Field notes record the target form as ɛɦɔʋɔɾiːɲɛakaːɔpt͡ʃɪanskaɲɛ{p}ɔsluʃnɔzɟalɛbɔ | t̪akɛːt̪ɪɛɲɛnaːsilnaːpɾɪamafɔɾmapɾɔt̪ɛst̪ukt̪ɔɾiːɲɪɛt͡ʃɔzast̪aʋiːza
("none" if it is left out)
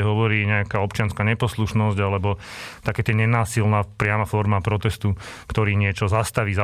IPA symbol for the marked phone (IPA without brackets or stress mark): p